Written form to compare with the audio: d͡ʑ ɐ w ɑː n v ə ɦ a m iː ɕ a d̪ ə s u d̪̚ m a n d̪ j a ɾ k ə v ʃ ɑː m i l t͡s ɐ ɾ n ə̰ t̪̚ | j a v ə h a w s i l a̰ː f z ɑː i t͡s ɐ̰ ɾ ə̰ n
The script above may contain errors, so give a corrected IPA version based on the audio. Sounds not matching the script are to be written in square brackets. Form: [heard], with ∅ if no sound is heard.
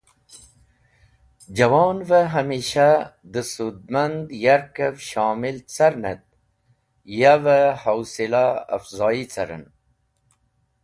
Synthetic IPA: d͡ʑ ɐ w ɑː n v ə ɦ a m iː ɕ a d̪ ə s u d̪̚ m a n d̪ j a ɾ k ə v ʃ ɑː m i l t͡s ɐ ɾ n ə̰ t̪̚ | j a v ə h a w s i l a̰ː f z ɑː i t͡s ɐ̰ ɾ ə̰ n